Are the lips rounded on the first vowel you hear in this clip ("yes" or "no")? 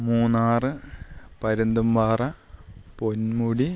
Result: yes